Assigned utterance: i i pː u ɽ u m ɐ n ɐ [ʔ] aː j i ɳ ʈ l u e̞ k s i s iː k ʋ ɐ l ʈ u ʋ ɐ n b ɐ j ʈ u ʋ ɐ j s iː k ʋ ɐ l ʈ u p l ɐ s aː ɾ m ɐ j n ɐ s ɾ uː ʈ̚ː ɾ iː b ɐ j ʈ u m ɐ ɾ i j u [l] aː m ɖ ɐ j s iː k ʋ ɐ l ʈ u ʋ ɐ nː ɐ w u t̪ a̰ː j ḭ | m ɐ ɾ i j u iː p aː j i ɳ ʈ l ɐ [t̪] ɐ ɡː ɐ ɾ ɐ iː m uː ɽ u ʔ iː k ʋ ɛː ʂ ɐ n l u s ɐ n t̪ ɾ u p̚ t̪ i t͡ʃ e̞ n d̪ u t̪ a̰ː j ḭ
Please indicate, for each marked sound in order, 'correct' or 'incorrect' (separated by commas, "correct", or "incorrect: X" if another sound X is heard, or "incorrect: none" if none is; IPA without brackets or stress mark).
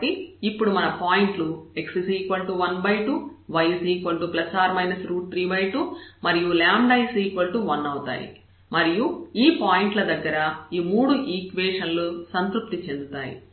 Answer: incorrect: p, correct, incorrect: d̪